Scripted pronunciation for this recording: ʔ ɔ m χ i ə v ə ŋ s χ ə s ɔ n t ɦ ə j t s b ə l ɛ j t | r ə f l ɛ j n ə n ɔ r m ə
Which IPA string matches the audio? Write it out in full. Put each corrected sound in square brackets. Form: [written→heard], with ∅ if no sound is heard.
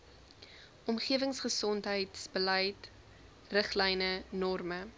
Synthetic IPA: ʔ ɔ m χ i ə v ə ŋ s χ ə s ɔ n t ɦ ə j t s b ə l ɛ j t | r ə [f→χ] l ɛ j n ə n ɔ r m ə

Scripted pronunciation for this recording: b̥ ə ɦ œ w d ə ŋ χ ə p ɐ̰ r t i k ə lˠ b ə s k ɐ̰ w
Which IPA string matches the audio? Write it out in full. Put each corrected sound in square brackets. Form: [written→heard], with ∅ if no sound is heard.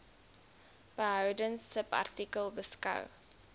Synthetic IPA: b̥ ə ɦ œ w d ə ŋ [χ→s] ə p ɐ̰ r t i k ə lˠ b ə s k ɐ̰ w

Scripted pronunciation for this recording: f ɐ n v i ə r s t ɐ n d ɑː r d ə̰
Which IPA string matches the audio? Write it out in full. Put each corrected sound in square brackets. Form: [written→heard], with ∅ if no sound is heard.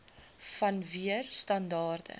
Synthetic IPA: f ɐ n v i ə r s t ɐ n d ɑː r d ə̰

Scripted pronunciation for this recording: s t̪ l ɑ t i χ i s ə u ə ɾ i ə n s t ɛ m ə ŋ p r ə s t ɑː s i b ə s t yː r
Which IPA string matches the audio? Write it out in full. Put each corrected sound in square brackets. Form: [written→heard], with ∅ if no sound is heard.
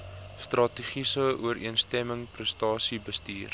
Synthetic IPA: s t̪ [l→r] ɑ t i χ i s ə u ə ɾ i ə n s t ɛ m ə ŋ p r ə s t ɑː s i b ə s t [yː→iː] r

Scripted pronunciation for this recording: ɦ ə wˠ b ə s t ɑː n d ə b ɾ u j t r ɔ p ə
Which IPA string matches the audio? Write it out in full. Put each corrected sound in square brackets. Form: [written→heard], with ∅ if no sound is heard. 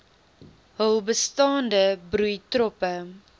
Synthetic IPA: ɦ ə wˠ b ə s t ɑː n d ə b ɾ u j t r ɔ p ə

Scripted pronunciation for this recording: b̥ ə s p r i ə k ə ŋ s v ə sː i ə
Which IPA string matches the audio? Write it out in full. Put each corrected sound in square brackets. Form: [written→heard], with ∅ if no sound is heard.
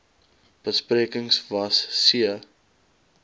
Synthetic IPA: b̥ ə s p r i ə k ə ŋ s v [ə→ɐ] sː i ə

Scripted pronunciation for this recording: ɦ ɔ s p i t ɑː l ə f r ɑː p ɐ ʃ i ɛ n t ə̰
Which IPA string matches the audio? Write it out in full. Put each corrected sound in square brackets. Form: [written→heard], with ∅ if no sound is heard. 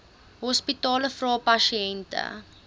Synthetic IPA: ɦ ɔ s p i t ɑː l ə f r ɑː p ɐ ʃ i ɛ n t ə̰

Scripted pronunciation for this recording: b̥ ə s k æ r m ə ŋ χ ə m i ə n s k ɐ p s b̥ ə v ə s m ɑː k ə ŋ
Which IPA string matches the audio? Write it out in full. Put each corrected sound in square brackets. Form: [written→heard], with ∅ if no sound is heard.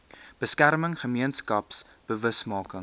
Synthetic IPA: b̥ ə s k æ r m ə ŋ χ ə m i ə n s k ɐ p s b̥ ə v ə s m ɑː k ə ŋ

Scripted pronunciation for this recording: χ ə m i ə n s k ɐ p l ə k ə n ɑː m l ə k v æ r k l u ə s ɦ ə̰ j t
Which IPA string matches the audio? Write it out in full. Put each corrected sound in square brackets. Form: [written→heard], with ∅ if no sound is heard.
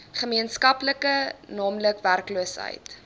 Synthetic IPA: χ ə m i ə n s k ɐ p l ə k ə n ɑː m l ə k v æ r k l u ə s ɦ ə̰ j t

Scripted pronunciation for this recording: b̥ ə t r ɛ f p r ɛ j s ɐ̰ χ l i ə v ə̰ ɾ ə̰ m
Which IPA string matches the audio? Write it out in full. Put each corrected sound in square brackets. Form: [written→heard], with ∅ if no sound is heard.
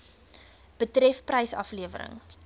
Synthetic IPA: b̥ ə t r ɛ f p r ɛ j s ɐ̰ [χ→f] l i ə v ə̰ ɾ ə̰ [m→ŋ]

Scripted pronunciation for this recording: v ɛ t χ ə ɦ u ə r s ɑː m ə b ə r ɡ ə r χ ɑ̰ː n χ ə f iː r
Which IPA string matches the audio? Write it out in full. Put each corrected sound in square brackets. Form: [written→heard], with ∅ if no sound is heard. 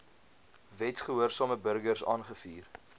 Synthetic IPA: v ɛ t χ ə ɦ u ə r s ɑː m ə b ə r ɡ ə r [χ→s] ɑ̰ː n χ ə f iː r

